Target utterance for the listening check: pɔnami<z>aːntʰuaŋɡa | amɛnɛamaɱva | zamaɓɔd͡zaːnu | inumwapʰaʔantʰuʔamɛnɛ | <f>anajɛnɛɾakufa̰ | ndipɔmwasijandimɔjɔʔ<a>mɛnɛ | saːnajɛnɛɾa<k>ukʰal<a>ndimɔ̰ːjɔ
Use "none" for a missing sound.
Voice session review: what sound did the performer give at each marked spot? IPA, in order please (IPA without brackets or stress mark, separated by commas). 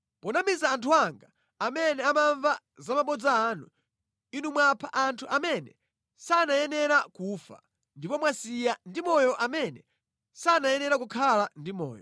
z, s, a, k, a